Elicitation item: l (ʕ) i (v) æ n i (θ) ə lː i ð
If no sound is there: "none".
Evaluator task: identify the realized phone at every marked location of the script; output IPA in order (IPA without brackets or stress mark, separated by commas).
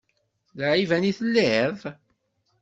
ʕ, v, θ